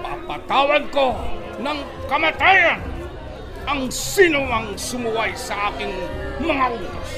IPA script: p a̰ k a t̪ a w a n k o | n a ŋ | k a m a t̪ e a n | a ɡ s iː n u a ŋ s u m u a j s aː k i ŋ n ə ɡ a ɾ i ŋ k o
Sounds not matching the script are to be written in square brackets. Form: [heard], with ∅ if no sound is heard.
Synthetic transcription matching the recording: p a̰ [p] a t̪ a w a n k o | n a ŋ | k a m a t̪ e a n | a [ŋ] s [i] n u a ŋ s u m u a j s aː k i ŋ [m] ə [ŋ] a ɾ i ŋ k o